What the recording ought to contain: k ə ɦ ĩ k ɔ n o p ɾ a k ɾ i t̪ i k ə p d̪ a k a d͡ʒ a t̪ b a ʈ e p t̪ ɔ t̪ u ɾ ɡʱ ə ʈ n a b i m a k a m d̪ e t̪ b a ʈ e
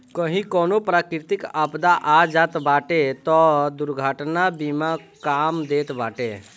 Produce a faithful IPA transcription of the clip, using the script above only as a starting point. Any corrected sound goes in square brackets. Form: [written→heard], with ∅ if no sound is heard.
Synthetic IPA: k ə ɦ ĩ k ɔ n o p ɾ a k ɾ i t̪ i k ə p d̪ a [k→ʔ] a d͡ʒ a t̪ b a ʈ e [p→∅] t̪ ɔ [t̪→d̪] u ɾ ɡʱ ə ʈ n a b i m a k a m d̪ e t̪ b a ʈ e